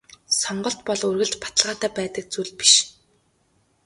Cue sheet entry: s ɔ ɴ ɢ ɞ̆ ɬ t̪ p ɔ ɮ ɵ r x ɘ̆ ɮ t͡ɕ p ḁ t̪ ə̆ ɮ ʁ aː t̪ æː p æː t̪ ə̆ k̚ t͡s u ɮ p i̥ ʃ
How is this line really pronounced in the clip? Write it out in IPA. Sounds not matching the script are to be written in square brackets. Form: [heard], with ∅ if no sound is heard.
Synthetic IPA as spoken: s ɔ ɴ ɢ ɞ̆ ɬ t̪ p ɔ ɮ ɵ r [ɣ] ɘ̆ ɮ t͡ɕ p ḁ t̪ ə̆ ɮ ʁ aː t̪ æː p æː t̪ ə̆ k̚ t͡s u ɮ p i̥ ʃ